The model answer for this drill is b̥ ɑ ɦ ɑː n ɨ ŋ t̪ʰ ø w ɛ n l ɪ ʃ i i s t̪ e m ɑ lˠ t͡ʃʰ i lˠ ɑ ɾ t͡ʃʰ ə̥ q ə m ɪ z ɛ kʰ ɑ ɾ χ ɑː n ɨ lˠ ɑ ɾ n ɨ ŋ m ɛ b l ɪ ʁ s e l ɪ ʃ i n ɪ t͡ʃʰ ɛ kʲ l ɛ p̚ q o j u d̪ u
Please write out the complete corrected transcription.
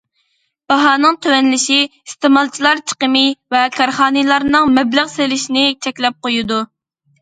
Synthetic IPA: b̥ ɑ ɦ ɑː n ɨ ŋ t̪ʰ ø w ɛ n l ɪ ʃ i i s t̪ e m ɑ lˠ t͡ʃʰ i lˠ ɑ ɾ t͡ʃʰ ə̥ q ə m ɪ v ɛ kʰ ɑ ɾ χ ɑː n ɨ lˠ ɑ ɾ n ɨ ŋ m ɛ b l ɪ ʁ s e l ɪ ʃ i n ɪ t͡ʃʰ ɛ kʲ l ɛ p̚ q o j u d̪ u